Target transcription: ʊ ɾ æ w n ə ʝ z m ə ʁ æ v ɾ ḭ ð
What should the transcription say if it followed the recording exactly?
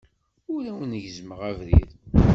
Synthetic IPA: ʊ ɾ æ w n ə ʝ z m ə ʁ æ v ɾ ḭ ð